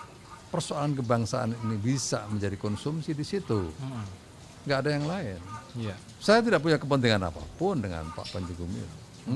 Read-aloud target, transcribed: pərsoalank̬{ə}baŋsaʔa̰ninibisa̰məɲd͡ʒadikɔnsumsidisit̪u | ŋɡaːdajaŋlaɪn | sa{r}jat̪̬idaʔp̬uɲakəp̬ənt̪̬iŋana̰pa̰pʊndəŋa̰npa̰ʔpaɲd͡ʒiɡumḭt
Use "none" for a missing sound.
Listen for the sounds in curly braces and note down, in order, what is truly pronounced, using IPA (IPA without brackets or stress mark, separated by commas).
ə, none